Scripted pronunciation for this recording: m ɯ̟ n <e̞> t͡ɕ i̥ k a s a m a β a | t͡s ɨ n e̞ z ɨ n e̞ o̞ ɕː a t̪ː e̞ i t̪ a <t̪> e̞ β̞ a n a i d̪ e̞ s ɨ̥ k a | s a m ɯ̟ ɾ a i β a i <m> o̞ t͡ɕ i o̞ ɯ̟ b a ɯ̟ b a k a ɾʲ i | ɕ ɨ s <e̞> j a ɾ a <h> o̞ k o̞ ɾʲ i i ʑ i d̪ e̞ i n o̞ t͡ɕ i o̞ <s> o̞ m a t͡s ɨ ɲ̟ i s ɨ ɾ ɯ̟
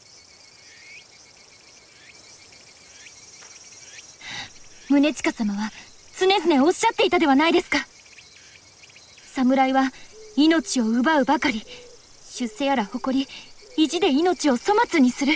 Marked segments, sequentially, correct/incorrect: correct, incorrect: d̪, incorrect: n, correct, correct, correct

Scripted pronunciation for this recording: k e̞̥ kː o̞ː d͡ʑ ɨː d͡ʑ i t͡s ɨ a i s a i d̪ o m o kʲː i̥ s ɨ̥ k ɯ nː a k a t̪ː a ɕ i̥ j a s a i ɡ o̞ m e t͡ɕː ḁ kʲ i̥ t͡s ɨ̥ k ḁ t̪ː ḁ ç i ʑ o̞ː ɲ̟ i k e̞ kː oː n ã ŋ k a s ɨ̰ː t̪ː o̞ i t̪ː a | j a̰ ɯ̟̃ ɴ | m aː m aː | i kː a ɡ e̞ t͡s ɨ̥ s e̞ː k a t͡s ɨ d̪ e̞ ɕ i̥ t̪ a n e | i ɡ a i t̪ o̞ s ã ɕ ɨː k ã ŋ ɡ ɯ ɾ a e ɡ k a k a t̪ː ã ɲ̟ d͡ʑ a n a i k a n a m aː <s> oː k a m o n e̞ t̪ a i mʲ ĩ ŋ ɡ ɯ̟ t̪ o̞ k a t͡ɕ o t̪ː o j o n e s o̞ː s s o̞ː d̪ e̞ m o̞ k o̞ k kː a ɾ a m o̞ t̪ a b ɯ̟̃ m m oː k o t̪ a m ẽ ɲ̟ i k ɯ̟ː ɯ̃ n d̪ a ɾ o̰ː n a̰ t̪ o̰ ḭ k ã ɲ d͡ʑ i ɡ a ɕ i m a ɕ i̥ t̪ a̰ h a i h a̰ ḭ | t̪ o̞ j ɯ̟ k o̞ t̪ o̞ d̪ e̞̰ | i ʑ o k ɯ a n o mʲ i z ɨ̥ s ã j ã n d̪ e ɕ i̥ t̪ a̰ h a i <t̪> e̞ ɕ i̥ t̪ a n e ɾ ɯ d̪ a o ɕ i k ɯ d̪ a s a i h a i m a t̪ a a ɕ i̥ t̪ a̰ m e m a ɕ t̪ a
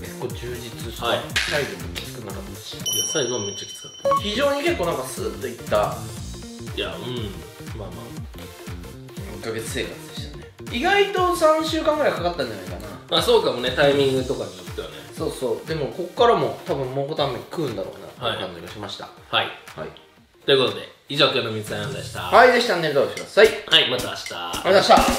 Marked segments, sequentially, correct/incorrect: correct, incorrect: d̪

